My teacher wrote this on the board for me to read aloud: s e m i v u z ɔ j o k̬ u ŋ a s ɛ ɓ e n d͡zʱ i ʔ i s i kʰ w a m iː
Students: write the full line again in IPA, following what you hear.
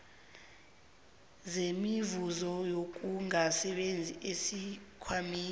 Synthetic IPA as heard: z e m i v u z ɔ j o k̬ u ŋ a s ɛ ɓ e n d͡zʱ i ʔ e s i kʰ w a m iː